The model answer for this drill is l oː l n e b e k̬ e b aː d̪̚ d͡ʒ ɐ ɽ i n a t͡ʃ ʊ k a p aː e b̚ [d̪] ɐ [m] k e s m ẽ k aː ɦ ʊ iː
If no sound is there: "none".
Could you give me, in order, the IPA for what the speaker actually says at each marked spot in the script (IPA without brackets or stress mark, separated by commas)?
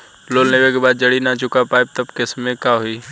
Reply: t̪, b